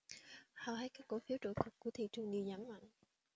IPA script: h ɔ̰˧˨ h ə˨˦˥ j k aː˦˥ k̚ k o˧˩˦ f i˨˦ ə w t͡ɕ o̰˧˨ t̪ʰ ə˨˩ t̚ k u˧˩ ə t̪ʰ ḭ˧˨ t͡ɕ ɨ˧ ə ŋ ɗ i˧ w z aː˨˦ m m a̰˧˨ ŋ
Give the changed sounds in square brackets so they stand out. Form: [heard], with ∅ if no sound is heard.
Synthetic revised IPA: h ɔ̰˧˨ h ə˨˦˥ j k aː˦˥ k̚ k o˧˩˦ f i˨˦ ə w t͡ɕ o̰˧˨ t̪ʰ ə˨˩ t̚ k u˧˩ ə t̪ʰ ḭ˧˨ t͡ɕ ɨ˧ ə ŋ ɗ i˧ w z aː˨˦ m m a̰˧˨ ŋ